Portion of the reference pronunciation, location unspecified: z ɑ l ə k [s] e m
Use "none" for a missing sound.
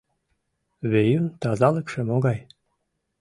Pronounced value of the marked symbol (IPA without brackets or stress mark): ʃ